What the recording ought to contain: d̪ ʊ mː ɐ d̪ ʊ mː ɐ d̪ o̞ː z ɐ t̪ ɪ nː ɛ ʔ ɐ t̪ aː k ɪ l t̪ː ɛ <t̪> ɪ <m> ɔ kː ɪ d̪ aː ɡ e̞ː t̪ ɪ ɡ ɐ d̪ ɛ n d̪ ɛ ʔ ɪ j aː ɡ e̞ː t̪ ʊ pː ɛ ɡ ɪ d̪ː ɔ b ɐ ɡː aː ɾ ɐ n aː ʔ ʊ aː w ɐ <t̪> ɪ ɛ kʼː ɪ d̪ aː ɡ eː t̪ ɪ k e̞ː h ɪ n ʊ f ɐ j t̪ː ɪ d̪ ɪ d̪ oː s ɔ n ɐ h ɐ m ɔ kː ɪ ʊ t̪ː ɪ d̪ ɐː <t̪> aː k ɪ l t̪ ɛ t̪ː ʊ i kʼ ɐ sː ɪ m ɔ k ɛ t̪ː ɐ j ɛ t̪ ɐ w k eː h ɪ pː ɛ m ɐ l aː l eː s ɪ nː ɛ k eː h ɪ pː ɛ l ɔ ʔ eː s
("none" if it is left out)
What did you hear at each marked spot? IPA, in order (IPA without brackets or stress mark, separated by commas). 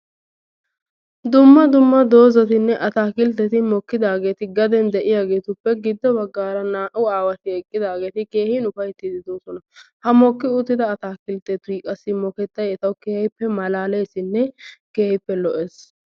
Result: t̪, m, t̪, t̪